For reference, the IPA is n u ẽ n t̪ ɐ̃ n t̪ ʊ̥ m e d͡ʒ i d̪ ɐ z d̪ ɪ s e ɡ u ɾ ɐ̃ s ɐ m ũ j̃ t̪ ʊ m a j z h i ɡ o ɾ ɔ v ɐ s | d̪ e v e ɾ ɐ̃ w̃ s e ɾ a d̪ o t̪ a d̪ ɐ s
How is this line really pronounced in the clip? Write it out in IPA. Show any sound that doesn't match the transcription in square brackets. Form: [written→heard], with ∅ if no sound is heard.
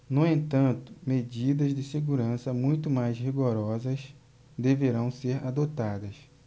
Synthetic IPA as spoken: n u ẽ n t̪ ɐ̃ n t̪ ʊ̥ m e d͡ʒ i d̪ ɐ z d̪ ɪ s e ɡ u ɾ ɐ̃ s ɐ m ũ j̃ t̪ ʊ m a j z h i ɡ o ɾ ɔ [v→z] ɐ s | d̪ e v e ɾ ɐ̃ w̃ s e ɾ a d̪ o t̪ a d̪ ɐ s

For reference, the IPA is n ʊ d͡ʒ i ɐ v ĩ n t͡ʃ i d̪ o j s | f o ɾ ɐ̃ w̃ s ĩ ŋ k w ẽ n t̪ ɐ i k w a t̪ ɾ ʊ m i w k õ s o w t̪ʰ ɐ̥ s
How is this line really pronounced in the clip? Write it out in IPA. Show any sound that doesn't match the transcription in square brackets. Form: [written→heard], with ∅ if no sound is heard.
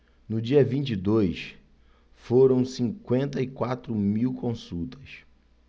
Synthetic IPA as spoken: n ʊ d͡ʒ i ɐ v ĩ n t͡ʃ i d̪ o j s | f o ɾ ɐ̃ w̃ s ĩ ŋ k w ẽ n t̪ ɐ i k w a t̪ ɾ ʊ m i w k õ s [o→u] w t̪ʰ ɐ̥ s

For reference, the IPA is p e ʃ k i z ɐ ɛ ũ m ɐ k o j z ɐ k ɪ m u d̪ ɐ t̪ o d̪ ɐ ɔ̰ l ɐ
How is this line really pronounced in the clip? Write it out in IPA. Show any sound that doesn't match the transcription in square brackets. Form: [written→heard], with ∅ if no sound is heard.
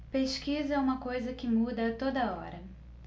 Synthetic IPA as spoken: p e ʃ k i z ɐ ɛ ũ m ɐ k o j z ɐ k ɪ m u d̪ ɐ t̪ o d̪ ɐ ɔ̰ [l→ɾ] ɐ

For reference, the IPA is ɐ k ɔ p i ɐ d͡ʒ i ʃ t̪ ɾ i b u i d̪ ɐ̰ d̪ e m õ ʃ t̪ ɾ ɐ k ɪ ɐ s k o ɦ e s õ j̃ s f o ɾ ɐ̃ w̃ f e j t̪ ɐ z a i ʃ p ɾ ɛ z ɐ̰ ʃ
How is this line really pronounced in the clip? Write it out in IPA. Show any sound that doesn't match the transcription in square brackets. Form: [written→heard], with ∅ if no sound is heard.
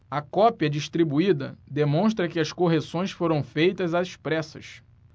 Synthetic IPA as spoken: ɐ k ɔ p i ɐ d͡ʒ i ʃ t̪ ɾ i b u i d̪ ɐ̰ d̪ e m õ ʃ t̪ ɾ ɐ k ɪ ɐ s k o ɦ e s õ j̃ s f o ɾ ɐ̃ w̃ f e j t̪ ɐ z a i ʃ p ɾ ɛ [z→s] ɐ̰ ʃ

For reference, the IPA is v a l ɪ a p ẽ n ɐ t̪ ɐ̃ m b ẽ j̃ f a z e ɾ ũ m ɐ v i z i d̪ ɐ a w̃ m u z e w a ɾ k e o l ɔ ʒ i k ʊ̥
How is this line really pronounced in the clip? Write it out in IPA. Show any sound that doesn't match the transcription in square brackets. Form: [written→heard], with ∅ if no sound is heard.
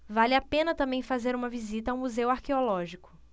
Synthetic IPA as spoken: v a l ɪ a p ẽ n ɐ t̪ ɐ̃ m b ẽ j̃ f a z e ɾ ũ m ɐ v i z i [d̪→t̪] ɐ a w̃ m u z e w a ɾ k e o l ɔ ʒ i k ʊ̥

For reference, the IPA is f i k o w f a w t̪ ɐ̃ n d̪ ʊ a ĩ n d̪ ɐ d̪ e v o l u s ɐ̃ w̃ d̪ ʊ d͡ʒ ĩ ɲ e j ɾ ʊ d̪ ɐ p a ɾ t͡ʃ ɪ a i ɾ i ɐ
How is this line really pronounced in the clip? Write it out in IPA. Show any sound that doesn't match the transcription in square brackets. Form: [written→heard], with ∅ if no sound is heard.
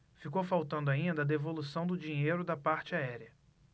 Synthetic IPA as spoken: f i k o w f a w t̪ ɐ̃ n d̪ ʊ a ĩ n d̪ ɐ d̪ e v o l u s ɐ̃ w̃ d̪ ʊ d͡ʒ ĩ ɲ e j ɾ ʊ d̪ ɐ p a ɾ t͡ʃ ɪ a [i→ɛ] ɾ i ɐ

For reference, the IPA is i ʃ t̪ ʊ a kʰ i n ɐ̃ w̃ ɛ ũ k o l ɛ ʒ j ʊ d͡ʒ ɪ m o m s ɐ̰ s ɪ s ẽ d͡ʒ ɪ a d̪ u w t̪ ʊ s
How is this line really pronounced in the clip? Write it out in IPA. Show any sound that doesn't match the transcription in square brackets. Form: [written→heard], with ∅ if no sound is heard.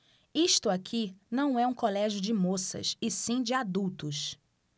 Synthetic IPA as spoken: i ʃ t̪ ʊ a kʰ i n ɐ̃ w̃ ɛ ũ k o l ɛ ʒ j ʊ d͡ʒ ɪ m o [m→∅] s ɐ̰ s ɪ s [ẽ→ĩ] d͡ʒ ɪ a d̪ u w t̪ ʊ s

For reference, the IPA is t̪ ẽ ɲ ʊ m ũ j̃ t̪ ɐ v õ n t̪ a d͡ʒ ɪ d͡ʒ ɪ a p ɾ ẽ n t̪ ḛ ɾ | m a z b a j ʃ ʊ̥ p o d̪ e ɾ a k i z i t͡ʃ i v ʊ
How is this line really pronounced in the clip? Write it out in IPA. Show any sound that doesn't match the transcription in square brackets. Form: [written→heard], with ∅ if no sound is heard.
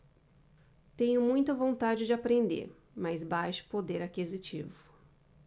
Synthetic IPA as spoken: t̪ ẽ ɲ ʊ m ũ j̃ t̪ ɐ v õ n t̪ a d͡ʒ ɪ d͡ʒ ɪ a p ɾ ẽ n [t̪→d̪] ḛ ɾ | m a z b a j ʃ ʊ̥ p o d̪ e ɾ a k i z i t͡ʃ i v ʊ

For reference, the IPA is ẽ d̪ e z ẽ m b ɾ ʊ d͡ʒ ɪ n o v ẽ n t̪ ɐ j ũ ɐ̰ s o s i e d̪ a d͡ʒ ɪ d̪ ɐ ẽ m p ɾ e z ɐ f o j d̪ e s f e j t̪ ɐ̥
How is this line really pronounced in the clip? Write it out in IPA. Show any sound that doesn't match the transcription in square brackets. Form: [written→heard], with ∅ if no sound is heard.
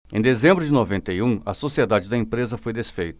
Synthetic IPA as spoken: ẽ d̪ e z ẽ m b ɾ ʊ d͡ʒ ɪ n o v ẽ n t̪ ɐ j ũ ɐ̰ s o s i e d̪ a d͡ʒ ɪ d̪ ɐ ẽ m p ɾ e z ɐ f o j d̪ e s f e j t̪ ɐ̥

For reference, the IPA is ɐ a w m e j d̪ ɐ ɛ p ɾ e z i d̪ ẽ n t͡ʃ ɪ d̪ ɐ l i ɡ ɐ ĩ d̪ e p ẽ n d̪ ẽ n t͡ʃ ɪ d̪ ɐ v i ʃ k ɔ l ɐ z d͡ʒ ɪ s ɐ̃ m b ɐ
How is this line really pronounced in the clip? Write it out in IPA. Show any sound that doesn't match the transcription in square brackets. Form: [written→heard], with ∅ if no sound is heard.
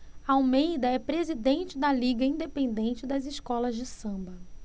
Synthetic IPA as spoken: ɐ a w m e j d̪ ɐ ɛ p ɾ e z i d̪ ẽ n t͡ʃ ɪ d̪ ɐ l i ɡ ɐ ĩ d̪ e p ẽ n d̪ ẽ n t͡ʃ ɪ d̪ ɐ [v→z] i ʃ k ɔ l ɐ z d͡ʒ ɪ s ɐ̃ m b ɐ

